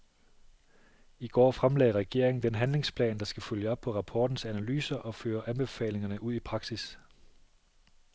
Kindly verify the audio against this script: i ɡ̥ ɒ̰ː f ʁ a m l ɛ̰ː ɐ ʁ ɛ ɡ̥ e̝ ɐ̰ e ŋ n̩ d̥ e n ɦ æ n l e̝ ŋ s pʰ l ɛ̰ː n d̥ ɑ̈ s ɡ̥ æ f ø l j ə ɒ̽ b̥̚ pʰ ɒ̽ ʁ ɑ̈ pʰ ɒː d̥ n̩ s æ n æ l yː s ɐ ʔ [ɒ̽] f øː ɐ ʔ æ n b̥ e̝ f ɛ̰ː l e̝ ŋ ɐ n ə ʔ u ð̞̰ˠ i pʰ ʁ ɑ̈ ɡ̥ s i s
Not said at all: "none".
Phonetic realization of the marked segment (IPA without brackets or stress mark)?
ɒ̽